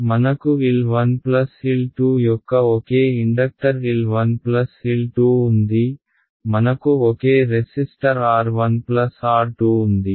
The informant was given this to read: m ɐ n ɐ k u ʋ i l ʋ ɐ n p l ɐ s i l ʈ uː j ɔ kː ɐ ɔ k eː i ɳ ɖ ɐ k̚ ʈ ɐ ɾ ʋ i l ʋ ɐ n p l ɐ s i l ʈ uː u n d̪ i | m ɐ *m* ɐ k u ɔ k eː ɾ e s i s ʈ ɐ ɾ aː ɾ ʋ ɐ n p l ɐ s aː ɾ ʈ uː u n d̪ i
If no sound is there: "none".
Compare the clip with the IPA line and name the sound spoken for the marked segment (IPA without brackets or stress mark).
n